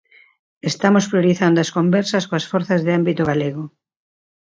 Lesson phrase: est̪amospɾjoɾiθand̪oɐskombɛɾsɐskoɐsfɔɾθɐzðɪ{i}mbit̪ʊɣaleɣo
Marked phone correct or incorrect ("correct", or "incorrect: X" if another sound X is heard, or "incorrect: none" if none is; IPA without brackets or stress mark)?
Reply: incorrect: a